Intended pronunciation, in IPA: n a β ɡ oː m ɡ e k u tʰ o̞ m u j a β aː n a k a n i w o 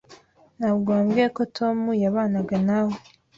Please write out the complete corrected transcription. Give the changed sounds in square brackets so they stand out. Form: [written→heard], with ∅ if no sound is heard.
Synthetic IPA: n a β ɡ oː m ɡ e k [u→o] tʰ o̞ m u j a β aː n a [k→ɡ] a n [i→a] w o